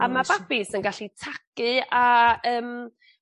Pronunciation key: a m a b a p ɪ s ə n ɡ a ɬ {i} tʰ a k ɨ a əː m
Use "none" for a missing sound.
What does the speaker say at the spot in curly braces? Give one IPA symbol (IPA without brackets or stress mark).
i